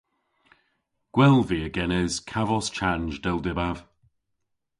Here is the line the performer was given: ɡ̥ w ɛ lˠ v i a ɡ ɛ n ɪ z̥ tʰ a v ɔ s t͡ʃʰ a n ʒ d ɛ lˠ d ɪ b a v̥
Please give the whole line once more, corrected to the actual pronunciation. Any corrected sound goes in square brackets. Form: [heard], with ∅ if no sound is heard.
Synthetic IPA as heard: ɡ̥ w ɛ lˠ v i [ə] ɡ ɛ n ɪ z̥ [kʰ] a v ɔ s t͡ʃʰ a n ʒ d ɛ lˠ d ɪ b a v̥